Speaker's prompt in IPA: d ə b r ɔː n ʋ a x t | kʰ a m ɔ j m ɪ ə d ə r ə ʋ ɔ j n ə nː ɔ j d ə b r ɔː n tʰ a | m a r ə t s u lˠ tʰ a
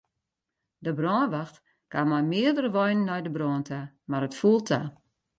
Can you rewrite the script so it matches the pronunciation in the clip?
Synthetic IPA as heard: d ə b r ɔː n ʋ a x t | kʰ a m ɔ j m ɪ ə d ə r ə ʋ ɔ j n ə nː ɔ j d ə b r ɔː n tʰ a | m a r ə t f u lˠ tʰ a